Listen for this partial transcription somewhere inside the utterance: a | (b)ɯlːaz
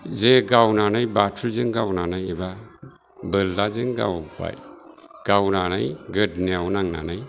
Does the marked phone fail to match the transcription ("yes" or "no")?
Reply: no